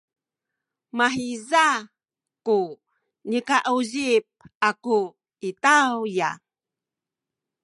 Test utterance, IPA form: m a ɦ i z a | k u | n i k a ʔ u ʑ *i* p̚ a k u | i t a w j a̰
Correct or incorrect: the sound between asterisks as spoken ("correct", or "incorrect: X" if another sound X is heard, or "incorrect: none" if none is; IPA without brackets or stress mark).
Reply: correct